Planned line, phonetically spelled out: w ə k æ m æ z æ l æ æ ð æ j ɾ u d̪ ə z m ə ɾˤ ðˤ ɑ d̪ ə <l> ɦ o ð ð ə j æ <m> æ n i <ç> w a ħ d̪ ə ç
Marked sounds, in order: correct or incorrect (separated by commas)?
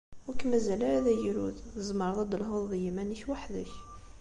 correct, correct, correct